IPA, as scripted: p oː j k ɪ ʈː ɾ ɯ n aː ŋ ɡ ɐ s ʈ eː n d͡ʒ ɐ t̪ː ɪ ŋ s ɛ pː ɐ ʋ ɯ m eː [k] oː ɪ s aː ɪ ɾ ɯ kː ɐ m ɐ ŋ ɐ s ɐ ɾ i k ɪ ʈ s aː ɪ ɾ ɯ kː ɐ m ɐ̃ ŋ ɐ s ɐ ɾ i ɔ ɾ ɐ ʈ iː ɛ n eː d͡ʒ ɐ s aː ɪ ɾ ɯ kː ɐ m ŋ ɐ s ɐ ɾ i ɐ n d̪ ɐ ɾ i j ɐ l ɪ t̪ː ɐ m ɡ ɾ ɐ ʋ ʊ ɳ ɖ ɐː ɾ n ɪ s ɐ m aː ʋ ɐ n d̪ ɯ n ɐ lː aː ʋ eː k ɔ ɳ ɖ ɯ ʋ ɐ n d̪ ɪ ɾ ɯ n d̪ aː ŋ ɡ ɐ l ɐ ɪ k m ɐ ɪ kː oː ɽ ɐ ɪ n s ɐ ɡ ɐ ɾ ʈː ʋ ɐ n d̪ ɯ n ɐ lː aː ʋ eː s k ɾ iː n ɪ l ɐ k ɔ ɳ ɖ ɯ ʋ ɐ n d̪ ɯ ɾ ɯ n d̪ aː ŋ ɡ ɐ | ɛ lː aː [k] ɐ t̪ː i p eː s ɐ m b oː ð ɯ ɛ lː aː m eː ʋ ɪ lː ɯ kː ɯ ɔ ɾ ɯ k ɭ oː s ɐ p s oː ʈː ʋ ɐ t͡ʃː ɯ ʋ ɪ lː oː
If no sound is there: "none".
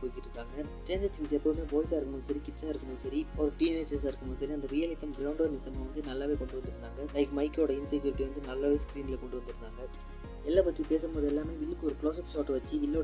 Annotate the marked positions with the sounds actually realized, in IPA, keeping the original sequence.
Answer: p, p

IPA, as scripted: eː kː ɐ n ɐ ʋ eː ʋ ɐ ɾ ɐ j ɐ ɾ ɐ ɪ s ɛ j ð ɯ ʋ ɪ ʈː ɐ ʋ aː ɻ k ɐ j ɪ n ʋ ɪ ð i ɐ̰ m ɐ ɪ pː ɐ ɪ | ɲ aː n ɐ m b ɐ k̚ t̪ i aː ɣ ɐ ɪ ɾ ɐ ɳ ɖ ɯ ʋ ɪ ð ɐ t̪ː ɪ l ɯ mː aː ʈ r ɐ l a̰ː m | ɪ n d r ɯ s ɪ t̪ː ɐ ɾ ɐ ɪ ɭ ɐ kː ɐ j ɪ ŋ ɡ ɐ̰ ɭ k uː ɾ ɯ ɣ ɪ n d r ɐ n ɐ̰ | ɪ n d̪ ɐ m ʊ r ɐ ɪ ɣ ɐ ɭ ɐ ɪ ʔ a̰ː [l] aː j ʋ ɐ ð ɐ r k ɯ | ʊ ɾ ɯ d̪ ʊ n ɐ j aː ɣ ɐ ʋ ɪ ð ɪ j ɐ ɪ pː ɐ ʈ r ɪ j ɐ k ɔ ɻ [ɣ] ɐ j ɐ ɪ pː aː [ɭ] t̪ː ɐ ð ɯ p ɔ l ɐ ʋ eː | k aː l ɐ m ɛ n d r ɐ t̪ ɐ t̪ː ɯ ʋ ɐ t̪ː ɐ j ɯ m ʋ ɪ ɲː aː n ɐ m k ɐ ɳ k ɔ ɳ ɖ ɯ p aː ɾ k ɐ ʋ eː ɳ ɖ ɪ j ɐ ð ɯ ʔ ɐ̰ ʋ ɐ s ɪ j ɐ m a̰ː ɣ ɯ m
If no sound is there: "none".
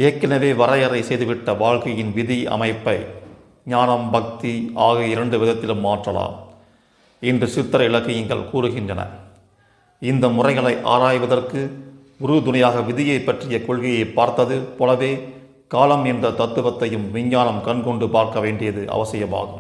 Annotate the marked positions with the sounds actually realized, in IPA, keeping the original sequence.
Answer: ɾ, ɣ, ɾ

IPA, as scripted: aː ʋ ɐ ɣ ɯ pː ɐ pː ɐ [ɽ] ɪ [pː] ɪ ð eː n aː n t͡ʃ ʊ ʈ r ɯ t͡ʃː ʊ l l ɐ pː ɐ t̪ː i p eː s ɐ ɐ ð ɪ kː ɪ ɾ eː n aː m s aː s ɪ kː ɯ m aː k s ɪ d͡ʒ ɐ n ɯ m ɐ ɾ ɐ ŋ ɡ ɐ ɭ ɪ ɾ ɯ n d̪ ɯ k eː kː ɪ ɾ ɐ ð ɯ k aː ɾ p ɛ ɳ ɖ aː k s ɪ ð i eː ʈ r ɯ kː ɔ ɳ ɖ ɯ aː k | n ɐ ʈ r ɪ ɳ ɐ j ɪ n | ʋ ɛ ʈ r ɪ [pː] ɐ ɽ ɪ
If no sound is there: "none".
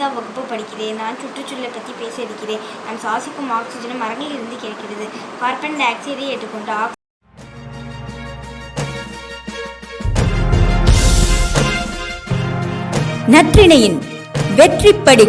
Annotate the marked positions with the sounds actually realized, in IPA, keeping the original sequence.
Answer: ɽ, kː, pː

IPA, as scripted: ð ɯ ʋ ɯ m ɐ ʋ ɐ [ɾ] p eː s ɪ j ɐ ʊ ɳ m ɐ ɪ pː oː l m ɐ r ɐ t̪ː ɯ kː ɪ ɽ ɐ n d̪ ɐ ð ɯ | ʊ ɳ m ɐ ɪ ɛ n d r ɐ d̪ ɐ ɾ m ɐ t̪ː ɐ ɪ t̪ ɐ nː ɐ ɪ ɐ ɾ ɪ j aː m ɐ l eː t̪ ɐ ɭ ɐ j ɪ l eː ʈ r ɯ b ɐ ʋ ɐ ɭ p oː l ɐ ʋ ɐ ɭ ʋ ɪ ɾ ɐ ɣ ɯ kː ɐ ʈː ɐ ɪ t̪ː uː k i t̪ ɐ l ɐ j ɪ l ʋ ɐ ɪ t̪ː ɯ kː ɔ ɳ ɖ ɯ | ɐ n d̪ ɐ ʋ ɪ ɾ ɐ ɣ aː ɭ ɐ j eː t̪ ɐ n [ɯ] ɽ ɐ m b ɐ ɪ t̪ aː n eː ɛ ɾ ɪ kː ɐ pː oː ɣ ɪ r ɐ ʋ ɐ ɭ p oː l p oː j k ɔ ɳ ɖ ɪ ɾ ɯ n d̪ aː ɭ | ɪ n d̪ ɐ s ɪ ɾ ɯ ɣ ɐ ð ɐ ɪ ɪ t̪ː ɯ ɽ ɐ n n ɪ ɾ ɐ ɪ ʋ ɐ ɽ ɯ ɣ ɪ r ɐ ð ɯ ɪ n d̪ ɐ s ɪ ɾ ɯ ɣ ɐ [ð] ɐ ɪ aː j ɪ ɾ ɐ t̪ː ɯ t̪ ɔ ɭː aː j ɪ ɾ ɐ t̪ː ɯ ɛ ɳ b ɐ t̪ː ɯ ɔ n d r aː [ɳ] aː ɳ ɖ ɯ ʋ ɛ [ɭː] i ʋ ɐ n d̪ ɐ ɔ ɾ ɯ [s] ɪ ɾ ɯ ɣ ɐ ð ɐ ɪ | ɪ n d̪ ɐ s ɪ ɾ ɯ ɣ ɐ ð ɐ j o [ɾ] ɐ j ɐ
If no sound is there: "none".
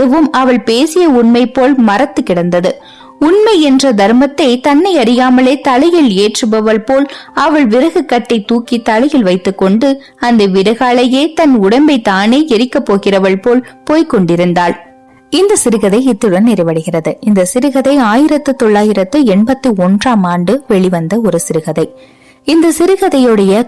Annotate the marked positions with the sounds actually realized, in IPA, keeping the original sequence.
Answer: ɭ, ʊ, ð, m, ɭ, s, ɽ

